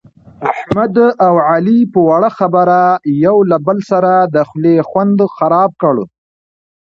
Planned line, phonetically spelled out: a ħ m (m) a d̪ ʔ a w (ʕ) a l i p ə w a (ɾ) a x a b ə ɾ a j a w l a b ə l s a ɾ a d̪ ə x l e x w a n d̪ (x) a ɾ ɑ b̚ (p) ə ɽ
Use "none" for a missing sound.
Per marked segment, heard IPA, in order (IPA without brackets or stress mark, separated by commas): m, ʕ, ɽ, x, k